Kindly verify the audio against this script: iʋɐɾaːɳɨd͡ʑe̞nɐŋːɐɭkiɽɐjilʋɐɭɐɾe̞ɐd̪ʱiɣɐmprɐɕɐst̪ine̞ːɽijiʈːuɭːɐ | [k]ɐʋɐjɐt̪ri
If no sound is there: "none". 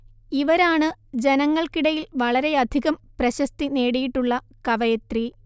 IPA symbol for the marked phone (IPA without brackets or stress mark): k